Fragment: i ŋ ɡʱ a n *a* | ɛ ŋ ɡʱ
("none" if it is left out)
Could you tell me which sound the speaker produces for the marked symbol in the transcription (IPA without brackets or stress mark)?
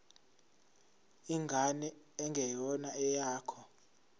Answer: ɛ